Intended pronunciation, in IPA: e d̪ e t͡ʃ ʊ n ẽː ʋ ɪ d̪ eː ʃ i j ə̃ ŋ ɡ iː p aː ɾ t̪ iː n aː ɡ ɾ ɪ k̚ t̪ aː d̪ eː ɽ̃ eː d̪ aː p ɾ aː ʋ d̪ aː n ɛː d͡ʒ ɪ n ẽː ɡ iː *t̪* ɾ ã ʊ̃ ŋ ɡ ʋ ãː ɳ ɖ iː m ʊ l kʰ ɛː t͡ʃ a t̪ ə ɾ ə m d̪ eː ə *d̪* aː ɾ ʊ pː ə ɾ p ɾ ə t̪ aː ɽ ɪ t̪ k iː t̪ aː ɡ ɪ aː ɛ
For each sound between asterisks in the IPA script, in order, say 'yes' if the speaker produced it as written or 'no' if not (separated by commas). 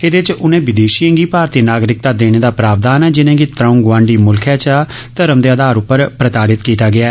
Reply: yes, yes